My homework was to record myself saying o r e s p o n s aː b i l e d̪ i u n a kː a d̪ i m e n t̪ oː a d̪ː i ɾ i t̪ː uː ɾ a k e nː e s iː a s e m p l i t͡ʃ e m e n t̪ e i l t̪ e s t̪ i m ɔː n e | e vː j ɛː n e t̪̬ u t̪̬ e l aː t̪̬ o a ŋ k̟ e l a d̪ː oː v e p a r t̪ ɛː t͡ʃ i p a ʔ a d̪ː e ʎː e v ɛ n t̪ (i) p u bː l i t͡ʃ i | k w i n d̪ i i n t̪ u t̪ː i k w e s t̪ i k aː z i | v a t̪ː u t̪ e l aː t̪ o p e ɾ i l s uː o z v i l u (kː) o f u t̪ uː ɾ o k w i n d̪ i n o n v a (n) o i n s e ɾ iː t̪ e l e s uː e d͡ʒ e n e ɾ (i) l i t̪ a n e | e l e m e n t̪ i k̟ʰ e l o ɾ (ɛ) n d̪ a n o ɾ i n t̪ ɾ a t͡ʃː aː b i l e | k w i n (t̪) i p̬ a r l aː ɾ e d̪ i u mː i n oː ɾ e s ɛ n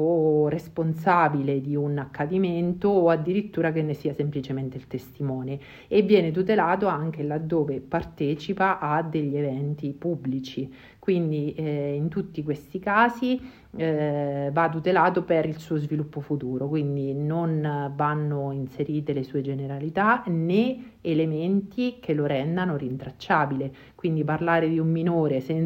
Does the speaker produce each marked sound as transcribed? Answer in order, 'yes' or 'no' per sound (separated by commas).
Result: yes, no, no, no, yes, no